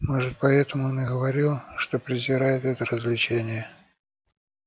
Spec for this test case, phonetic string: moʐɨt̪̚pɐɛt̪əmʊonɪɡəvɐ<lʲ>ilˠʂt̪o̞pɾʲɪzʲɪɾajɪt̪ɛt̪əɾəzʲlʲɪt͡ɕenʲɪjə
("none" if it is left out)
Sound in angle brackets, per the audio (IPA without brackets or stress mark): ɾʲ